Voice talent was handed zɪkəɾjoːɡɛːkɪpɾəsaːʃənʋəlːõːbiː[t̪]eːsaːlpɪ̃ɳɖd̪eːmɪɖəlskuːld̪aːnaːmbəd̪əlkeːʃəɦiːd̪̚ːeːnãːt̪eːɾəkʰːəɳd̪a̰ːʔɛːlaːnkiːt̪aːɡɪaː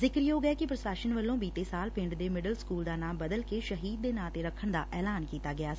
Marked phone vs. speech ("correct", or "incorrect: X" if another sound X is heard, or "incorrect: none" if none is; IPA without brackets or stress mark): correct